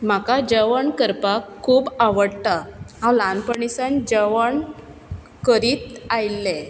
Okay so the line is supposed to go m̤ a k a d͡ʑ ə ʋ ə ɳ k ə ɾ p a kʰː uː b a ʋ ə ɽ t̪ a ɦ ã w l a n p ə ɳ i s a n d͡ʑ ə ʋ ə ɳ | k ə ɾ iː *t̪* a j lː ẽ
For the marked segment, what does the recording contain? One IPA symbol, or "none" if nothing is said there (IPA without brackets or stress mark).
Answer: t̪